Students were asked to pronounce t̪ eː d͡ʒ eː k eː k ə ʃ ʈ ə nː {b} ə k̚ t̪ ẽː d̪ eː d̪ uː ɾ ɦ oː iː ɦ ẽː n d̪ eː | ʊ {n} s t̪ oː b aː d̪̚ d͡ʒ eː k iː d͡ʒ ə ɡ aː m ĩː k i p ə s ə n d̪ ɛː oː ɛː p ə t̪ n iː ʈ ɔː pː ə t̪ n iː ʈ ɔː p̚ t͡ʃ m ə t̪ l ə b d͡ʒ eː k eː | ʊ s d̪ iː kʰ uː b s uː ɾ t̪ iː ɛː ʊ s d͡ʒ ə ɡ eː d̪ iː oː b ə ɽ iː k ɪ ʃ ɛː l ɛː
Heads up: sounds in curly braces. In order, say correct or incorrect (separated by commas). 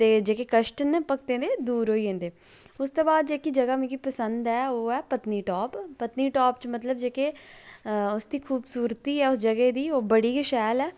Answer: incorrect, incorrect